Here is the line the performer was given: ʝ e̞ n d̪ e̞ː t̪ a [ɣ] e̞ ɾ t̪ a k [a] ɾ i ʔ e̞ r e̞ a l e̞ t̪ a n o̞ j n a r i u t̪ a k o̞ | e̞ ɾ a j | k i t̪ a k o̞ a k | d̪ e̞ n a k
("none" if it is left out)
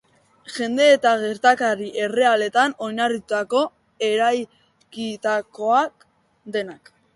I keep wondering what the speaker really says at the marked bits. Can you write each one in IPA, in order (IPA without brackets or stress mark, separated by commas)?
ɣ, a